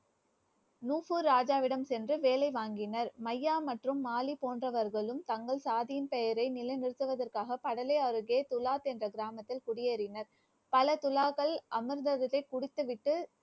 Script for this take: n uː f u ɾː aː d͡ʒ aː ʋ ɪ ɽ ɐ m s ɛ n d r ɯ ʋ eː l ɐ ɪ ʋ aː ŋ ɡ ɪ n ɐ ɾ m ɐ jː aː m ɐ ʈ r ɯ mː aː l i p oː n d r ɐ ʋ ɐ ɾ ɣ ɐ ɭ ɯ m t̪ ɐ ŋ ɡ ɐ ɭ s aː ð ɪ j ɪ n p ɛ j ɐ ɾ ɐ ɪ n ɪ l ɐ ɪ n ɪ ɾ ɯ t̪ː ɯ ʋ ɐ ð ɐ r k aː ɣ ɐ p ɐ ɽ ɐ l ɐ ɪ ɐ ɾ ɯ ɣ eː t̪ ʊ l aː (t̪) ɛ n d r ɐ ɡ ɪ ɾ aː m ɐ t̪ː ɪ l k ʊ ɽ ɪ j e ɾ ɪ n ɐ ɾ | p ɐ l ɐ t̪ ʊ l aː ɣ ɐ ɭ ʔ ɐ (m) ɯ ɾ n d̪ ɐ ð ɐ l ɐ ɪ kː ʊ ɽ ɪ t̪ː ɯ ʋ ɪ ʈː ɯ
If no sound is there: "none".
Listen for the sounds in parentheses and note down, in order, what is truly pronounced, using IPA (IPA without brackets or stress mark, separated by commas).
t̪, m